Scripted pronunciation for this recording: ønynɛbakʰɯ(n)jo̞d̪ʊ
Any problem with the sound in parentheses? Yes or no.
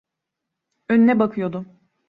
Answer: yes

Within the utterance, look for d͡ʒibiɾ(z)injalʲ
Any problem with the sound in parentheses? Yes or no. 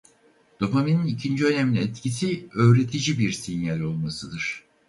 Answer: yes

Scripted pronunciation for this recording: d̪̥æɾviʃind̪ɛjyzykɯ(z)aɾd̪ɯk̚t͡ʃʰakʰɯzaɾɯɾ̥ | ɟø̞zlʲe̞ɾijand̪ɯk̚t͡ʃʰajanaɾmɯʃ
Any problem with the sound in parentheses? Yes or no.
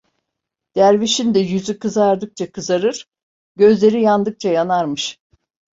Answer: no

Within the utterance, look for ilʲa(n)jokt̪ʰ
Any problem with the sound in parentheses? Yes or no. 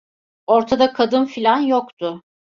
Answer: no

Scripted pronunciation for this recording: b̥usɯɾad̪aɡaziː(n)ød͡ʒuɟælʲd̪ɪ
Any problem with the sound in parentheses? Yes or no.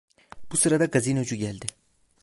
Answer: no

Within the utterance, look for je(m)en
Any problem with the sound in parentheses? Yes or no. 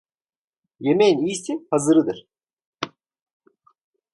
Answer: no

